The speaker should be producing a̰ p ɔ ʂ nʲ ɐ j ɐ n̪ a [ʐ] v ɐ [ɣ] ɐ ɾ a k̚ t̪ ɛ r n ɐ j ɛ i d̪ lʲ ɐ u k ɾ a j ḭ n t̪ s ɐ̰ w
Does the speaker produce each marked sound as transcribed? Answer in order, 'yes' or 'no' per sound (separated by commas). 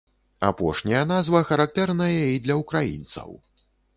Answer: no, no